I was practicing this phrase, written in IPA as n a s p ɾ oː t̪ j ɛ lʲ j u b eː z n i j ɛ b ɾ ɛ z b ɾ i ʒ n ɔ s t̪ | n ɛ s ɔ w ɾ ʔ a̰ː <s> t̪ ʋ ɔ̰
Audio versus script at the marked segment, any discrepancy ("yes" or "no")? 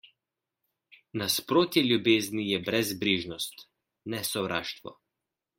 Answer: yes